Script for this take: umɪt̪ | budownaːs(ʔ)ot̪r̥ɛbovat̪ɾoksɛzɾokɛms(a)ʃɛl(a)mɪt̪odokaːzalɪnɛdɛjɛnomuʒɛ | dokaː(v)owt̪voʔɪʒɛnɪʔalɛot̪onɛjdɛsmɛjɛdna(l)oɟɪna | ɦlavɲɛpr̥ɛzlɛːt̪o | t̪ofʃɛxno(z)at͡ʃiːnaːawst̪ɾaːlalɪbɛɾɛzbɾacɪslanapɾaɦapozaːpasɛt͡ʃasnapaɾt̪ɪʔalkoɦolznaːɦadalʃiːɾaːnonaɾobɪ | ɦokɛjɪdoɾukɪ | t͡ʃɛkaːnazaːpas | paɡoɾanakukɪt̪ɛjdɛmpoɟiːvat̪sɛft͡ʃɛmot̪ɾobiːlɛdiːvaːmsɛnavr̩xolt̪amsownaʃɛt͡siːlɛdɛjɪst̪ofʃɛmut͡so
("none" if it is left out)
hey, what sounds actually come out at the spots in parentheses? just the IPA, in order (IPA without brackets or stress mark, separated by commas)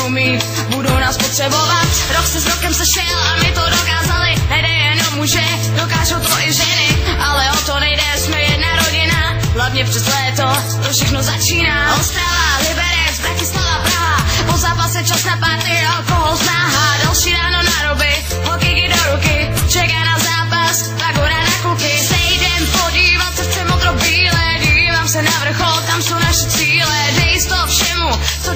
p, ɛ, a, ʒ, ɾ, z